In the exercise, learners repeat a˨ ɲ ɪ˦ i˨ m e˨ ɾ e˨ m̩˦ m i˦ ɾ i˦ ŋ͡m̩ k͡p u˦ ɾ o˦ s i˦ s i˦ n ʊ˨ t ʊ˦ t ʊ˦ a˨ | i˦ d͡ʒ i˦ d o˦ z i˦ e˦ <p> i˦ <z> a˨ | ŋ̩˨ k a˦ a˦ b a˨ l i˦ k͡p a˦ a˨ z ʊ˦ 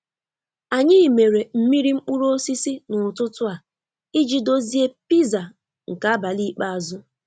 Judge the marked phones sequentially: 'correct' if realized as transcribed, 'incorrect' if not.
correct, correct

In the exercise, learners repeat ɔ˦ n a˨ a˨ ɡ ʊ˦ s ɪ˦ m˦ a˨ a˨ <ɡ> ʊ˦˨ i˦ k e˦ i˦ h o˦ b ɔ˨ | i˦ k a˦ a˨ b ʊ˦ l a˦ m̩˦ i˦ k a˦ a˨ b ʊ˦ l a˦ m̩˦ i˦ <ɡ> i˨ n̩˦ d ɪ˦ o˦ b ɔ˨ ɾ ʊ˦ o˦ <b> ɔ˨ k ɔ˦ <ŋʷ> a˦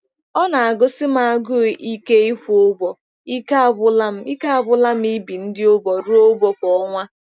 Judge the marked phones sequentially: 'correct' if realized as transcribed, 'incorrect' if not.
correct, incorrect, correct, correct

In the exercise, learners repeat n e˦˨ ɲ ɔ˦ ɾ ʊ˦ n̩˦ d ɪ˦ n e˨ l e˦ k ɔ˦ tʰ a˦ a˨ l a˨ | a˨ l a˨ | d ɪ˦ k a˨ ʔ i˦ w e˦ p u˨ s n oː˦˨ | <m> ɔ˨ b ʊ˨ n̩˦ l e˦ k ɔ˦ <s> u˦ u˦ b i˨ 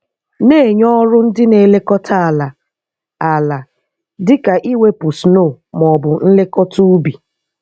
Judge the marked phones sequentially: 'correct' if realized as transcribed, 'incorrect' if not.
correct, incorrect

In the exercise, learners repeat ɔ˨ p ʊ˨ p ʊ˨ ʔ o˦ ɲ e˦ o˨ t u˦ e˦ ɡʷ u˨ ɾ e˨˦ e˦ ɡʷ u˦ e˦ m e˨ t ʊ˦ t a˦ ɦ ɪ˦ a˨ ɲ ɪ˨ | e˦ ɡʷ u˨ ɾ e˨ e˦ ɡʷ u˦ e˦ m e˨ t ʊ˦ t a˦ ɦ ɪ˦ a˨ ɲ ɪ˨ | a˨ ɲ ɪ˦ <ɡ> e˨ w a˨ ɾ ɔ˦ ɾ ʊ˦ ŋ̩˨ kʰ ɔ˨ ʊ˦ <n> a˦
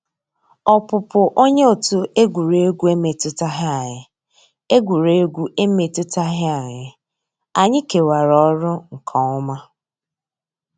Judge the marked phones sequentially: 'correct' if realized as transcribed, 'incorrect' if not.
incorrect, incorrect

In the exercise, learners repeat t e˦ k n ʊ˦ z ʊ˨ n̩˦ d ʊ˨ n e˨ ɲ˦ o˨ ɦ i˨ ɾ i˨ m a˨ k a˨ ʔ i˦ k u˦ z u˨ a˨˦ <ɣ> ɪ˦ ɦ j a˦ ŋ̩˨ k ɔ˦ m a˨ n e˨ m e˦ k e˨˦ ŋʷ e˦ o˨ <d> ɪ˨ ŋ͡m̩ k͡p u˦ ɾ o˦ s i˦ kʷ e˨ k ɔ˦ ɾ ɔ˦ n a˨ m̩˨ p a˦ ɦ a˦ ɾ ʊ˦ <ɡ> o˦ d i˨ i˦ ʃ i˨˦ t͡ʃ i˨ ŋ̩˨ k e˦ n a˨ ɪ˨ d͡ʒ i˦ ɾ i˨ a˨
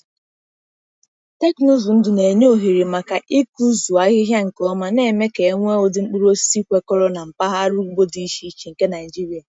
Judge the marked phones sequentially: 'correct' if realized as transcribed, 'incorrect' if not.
correct, correct, incorrect

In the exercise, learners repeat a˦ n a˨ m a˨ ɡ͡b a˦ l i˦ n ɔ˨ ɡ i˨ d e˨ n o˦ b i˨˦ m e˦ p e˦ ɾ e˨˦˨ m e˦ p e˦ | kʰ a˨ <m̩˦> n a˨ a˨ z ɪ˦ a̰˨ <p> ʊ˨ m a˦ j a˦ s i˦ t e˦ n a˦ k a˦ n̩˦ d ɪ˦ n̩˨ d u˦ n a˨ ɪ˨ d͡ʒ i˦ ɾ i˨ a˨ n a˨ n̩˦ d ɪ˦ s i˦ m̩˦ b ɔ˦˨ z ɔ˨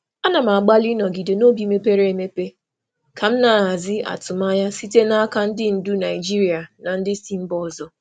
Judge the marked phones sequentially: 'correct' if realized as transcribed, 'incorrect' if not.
correct, incorrect

